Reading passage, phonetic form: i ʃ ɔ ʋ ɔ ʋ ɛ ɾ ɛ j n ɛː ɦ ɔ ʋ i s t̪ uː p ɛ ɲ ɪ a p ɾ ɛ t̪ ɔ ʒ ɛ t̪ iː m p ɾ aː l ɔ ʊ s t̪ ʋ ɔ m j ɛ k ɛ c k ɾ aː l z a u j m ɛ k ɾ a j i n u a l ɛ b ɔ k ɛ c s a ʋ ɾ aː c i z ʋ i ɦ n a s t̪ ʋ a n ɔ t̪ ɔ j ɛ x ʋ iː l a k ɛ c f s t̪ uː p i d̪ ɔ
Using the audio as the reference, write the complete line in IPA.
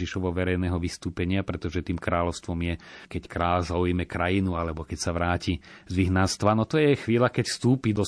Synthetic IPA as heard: i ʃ ɔ ʋ ɔ ʋ ɛ ɾ ɛ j n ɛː ɦ ɔ ʋ i s t̪ uː p ɛ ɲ ɪ a p ɾ ɛ t̪ ɔ ʒ ɛ t̪ iː m k ɾ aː l ɔ ʊ s t̪ ʋ ɔ m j ɛ k ɛ c k ɾ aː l z a u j m ɛ k ɾ a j i n u a l ɛ b ɔ k ɛ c s a ʋ ɾ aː c i z ʋ i ɦ n a s t̪ ʋ a n ɔ t̪ ɔ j ɛ x ʋ iː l a k ɛ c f s t̪ uː p i d̪ ɔ